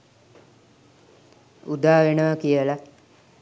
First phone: u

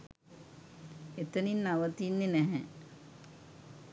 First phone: e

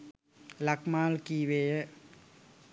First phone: l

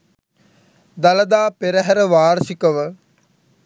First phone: d̪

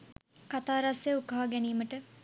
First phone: k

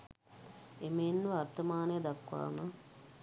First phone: e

